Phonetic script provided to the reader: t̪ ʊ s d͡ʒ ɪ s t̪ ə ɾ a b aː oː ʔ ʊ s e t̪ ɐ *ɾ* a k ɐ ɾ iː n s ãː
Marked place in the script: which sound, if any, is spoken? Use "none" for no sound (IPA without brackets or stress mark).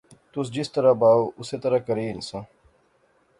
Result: ɾ